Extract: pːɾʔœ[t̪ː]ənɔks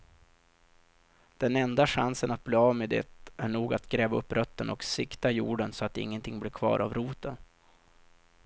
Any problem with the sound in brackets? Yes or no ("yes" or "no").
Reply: no